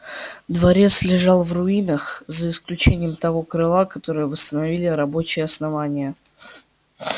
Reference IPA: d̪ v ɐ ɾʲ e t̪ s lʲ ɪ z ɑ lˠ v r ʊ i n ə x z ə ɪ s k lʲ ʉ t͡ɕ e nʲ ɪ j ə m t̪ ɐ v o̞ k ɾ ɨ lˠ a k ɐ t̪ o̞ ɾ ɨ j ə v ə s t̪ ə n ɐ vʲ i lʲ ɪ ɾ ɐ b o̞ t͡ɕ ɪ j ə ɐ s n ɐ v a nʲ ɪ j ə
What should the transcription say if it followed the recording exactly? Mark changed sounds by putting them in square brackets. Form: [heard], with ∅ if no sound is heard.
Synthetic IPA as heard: d̪ v ɐ ɾʲ e t̪ s lʲ ɪ [ʐ] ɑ lˠ v r ʊ i n ə x z ə ɪ s k lʲ ʉ t͡ɕ e nʲ ɪ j ə m t̪ ɐ v o̞ k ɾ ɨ lˠ a k ɐ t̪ o̞ ɾ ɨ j ə v ə s t̪ ə n ɐ vʲ i lʲ ɪ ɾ ɐ b o̞ t͡ɕ ɪ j ə ɐ s n ɐ v a nʲ ɪ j ə

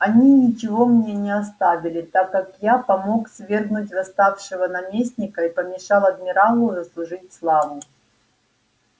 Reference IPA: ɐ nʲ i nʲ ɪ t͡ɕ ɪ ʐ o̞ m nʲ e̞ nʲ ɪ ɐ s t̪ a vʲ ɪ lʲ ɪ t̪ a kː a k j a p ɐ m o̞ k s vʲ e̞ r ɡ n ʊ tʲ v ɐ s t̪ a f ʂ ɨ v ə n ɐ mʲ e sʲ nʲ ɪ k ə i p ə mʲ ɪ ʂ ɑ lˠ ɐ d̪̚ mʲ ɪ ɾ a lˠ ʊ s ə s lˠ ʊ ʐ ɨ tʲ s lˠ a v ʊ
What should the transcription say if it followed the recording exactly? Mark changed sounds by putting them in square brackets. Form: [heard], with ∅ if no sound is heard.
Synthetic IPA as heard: ɐ nʲ i nʲ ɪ t͡ɕ ɪ [v] o̞ m nʲ e̞ nʲ ɪ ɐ s t̪ a vʲ ɪ lʲ ɪ t̪ a kː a k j a p ɐ m o̞ k s vʲ e̞ r ɡ n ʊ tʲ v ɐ s t̪ a f ʂ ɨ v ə n ɐ mʲ e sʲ nʲ ɪ k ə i p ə mʲ ɪ ʂ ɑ lˠ ɐ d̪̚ mʲ ɪ ɾ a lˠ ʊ [z] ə s lˠ ʊ ʐ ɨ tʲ s lˠ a v ʊ

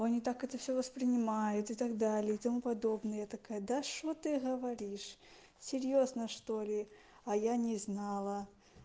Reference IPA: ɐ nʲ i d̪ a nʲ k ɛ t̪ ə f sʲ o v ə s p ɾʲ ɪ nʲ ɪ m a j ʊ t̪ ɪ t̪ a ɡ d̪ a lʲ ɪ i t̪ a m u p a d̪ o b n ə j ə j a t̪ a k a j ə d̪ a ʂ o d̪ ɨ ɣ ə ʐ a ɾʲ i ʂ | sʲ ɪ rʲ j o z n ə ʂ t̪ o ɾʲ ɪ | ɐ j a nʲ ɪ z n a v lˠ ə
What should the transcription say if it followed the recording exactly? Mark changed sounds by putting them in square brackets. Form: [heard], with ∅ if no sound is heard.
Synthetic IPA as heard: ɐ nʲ i [t̪] a [∅] k ɛ t̪ ə f sʲ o v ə s p ɾʲ ɪ nʲ ɪ m a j ʊ t̪ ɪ t̪ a ɡ d̪ a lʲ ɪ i t̪ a m u p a d̪ o b n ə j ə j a t̪ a k a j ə d̪ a ʂ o [t̪] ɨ ɣ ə [v] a ɾʲ i ʂ | sʲ ɪ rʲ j o z n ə ʂ t̪ o [lʲ] ɪ | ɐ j a nʲ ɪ z n a [∅] lˠ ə

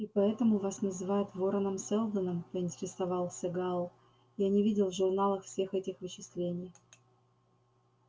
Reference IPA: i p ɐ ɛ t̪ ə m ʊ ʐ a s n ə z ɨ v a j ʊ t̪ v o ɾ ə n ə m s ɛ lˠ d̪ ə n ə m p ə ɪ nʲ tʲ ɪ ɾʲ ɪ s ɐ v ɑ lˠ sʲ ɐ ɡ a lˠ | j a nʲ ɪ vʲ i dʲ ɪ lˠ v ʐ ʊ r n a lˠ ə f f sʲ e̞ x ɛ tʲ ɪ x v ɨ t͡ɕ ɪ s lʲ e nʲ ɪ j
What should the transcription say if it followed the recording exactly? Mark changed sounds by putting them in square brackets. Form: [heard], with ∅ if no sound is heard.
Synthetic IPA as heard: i p ɐ ɛ t̪ ə m ʊ [v] a s n ə z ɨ v a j ʊ t̪ v o ɾ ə n ə m s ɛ lˠ d̪ ə n ə m p ə ɪ nʲ tʲ ɪ ɾʲ ɪ s ɐ v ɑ lˠ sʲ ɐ ɡ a lˠ | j a nʲ ɪ vʲ i dʲ ɪ lˠ v ʐ ʊ r n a lˠ ə [x] f sʲ e̞ x ɛ tʲ ɪ x v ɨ t͡ɕ ɪ s lʲ e nʲ ɪ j

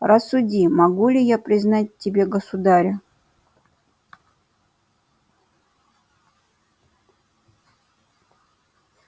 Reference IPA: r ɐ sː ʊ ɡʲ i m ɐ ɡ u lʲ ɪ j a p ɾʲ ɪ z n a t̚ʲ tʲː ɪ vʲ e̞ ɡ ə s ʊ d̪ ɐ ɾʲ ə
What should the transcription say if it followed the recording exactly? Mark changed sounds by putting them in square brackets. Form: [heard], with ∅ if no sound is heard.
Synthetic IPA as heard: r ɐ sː ʊ [dʲ] i m ɐ ɡ u lʲ ɪ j a p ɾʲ ɪ z n a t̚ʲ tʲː ɪ [bʲ] e̞ ɡ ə s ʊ d̪ [a] ɾʲ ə

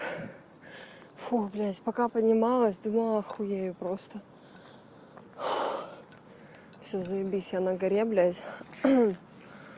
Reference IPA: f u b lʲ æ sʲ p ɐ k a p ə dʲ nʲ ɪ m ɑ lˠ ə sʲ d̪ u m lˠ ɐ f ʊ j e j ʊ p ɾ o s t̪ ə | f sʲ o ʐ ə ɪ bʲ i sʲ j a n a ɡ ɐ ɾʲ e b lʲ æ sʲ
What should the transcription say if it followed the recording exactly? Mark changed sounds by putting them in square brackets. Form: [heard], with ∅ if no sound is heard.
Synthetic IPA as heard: f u b lʲ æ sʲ p ɐ k a p ə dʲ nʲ ɪ m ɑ lˠ ə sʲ d̪ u m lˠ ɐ [x] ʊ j e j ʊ p ɾ o s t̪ ə | f sʲ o [z] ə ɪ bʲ i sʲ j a n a ɡ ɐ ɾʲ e b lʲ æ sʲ

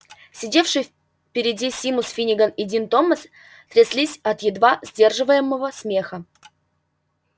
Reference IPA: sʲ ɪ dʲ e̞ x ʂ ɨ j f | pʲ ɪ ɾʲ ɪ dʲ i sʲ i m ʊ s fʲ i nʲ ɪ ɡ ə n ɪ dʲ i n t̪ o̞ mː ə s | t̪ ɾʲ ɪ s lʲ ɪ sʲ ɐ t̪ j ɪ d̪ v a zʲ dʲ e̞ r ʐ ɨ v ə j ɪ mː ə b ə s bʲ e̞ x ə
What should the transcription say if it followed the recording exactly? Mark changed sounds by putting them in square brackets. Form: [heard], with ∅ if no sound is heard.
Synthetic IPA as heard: sʲ ɪ dʲ e̞ [f] ʂ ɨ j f | pʲ ɪ ɾʲ ɪ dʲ i sʲ i m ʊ s fʲ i nʲ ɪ ɡ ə n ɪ dʲ i n t̪ o̞ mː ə s | t̪ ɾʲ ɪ s lʲ [i] sʲ ɐ t̪ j ɪ d̪ v a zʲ dʲ e̞ r ʐ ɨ v ə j ɪ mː ə [v] ə s [mʲ] e̞ x ə

